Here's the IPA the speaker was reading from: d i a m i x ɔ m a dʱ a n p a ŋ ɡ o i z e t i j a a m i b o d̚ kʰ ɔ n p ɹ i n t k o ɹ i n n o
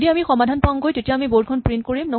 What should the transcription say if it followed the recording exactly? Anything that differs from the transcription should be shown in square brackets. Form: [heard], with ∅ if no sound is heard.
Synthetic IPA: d i a m i x ɔ m a dʱ a n p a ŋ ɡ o [j] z e t i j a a m i b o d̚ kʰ ɔ n p ɹ i n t k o ɹ i [m] n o